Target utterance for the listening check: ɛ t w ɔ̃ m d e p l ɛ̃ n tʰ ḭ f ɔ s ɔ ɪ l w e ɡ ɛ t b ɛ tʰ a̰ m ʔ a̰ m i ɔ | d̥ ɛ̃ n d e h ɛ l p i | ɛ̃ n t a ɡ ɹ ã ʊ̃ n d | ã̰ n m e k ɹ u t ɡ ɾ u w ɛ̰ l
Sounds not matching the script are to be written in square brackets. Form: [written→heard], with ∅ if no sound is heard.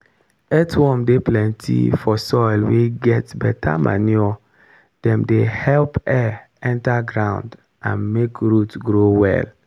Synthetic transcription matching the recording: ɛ t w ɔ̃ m d e p l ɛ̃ n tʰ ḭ f ɔ s ɔ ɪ l w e ɡ ɛ t b ɛ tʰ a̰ m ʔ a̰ [m→n] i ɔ | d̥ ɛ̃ [n→m] d e h ɛ l p [i→ɛ] | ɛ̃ n t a ɡ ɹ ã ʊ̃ n d | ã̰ n m e k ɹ u t ɡ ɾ [u→o] w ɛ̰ l